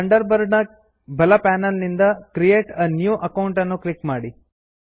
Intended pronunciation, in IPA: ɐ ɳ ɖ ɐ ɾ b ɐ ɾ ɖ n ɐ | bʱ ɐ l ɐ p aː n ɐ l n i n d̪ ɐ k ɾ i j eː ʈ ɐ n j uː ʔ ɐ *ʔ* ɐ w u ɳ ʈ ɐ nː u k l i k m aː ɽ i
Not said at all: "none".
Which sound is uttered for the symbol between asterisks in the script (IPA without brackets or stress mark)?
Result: k